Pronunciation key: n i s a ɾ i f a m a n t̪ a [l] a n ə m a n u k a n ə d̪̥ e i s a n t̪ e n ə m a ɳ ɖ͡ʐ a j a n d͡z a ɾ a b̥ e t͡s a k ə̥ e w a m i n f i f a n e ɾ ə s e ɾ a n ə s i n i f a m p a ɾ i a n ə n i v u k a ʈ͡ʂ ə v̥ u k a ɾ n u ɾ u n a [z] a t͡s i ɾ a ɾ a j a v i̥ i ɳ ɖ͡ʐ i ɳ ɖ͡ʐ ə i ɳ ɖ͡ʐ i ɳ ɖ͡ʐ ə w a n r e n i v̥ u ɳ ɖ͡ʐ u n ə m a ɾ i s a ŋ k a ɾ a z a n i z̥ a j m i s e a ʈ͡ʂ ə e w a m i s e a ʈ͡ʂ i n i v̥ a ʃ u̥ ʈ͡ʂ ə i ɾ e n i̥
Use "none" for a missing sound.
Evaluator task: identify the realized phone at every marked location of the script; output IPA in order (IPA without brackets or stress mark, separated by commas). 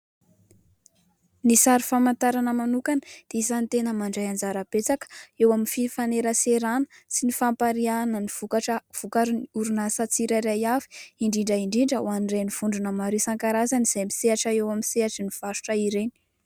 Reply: ɾ, s